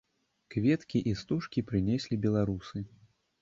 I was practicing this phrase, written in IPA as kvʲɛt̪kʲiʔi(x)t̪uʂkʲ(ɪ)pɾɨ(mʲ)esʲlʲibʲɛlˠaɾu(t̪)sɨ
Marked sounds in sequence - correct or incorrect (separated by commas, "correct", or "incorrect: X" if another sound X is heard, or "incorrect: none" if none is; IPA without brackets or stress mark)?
incorrect: s, incorrect: i, incorrect: nʲ, incorrect: none